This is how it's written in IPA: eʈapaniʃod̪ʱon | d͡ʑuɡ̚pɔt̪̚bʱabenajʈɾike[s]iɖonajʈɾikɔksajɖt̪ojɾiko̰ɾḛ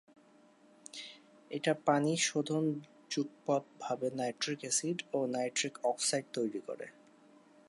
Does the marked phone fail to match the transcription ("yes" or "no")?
no